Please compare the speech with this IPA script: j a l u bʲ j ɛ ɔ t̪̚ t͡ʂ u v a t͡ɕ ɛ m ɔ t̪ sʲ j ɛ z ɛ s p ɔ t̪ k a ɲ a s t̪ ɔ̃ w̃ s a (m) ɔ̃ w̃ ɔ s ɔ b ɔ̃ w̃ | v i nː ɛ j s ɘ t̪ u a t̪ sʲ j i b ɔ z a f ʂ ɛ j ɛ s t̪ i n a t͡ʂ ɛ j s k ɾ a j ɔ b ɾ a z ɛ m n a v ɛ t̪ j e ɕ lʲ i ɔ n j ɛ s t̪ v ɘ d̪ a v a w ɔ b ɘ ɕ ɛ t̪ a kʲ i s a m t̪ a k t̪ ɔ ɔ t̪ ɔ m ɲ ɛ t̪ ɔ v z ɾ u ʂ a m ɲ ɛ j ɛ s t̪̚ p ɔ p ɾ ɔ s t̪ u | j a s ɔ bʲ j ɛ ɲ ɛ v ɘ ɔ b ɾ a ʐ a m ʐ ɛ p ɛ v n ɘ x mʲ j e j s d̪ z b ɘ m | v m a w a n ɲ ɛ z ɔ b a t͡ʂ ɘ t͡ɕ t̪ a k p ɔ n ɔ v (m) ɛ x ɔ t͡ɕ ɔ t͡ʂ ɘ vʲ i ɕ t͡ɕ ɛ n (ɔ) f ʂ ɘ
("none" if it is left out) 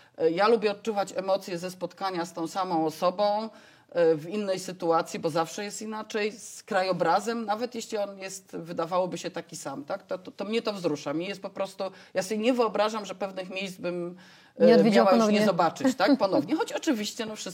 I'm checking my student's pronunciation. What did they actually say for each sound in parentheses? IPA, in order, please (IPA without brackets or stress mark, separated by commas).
m, ɲ, ɔ